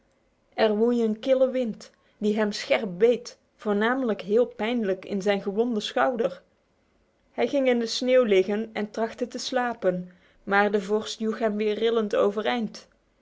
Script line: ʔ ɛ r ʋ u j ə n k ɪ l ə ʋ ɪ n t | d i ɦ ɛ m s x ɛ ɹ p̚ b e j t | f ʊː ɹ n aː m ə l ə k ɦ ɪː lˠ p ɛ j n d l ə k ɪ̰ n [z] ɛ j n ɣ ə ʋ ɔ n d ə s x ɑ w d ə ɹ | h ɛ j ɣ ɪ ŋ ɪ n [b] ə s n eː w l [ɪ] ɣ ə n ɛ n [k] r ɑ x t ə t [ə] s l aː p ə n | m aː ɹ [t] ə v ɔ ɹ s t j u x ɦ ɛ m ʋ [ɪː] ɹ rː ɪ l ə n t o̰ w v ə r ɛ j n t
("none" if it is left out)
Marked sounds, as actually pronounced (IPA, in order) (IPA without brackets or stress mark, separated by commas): z, d, ɪ, t, ə, d, ɪː